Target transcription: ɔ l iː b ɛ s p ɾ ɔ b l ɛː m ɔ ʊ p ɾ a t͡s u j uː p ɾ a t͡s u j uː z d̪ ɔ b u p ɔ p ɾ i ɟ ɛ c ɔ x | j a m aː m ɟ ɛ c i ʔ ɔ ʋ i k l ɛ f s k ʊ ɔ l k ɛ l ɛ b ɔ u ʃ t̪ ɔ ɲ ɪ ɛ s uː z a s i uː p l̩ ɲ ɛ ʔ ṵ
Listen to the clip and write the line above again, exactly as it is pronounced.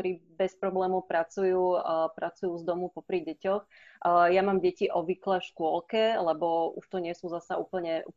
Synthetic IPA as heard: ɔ ɾ iː b ɛ s p ɾ ɔ b l ɛː m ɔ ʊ p ɾ a t͡s u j uː p ɾ a t͡s u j uː z d̪ ɔ m u p ɔ p ɾ i ɟ ɛ c ɔ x | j a m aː m ɟ ɛ c i ʔ ɔ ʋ i k l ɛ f ʃ k ʊ ɔ l k ɛ l ɛ b ɔ u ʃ t̪ ɔ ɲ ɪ ɛ s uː z a s a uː p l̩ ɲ ɛ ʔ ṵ